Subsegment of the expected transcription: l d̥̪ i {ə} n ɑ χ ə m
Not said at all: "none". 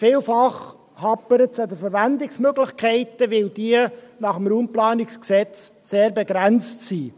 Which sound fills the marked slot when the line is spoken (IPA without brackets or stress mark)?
ə